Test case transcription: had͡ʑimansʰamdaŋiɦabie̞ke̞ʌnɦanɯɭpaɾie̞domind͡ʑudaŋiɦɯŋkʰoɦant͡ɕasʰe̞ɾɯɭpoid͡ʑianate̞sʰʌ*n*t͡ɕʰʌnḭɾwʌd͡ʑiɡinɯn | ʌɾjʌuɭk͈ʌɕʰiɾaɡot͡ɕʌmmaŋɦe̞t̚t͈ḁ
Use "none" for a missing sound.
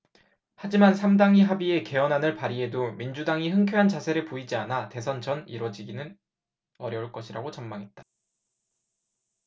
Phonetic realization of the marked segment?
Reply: n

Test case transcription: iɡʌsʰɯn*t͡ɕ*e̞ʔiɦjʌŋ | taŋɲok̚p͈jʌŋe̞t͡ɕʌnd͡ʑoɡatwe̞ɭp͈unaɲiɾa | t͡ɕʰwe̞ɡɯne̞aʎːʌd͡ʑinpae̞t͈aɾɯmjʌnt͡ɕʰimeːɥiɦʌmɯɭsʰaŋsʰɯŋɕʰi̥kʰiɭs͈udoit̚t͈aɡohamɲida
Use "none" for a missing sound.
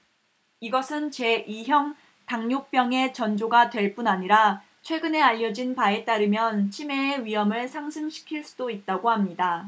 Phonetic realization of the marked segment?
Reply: t͡ɕ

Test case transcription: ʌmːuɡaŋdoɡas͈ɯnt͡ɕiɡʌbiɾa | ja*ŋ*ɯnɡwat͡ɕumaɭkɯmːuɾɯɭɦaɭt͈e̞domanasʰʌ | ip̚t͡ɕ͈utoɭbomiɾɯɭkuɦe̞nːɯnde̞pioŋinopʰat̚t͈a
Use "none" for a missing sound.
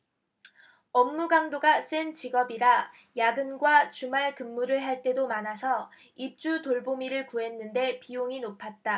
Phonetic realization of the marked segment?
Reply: ɡ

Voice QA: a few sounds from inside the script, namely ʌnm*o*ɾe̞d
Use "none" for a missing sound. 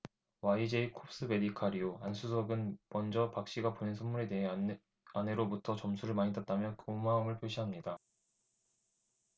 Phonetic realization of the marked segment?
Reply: u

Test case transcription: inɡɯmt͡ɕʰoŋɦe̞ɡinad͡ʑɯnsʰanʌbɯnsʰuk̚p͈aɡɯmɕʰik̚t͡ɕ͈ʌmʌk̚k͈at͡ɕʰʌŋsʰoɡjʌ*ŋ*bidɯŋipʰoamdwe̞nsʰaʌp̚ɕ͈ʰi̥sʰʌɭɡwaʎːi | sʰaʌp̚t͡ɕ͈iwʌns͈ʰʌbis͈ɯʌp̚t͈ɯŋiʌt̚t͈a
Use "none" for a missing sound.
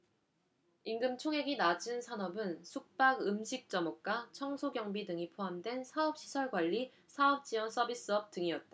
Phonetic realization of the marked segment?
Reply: ŋ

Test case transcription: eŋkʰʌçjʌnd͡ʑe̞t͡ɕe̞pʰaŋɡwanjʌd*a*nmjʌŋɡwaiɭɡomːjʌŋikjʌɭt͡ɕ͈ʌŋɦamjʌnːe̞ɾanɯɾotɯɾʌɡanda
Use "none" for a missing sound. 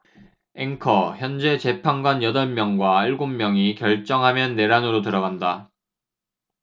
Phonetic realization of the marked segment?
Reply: ʌ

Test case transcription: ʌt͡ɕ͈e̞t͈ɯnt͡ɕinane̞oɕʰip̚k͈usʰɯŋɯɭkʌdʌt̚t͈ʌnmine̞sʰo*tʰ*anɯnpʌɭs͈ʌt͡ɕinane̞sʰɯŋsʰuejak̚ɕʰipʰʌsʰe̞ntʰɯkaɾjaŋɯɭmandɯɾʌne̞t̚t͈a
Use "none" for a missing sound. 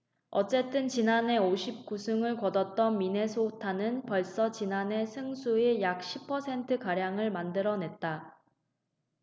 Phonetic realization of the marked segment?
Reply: tʰ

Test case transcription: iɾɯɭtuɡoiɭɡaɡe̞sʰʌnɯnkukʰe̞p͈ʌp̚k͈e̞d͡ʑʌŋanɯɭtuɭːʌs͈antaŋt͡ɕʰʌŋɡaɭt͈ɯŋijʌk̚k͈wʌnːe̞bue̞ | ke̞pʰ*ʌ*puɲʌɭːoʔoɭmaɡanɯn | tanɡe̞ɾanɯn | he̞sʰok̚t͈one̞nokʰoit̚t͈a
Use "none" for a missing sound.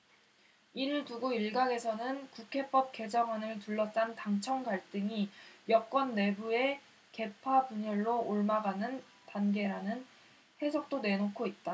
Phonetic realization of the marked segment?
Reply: a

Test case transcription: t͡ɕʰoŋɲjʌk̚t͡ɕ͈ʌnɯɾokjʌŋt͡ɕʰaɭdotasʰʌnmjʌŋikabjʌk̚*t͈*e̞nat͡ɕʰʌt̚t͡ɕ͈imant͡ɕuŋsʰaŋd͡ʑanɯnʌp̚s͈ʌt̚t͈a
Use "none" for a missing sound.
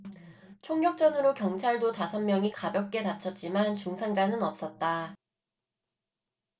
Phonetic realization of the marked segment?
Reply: k͈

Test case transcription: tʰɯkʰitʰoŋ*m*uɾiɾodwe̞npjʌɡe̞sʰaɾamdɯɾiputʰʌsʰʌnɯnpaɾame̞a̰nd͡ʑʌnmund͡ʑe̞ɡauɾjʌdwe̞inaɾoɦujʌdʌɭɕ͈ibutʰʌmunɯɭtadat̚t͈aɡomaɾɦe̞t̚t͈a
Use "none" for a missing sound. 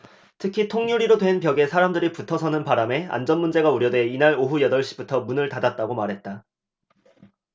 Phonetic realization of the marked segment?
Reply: ɲ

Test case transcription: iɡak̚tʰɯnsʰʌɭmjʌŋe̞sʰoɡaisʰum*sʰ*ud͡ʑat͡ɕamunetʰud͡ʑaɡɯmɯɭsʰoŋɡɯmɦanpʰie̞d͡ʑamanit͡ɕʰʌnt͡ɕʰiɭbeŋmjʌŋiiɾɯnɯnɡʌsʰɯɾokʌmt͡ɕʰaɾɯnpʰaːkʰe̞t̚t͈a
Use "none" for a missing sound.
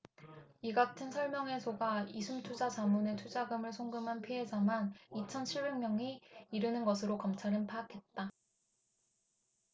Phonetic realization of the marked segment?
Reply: tʰ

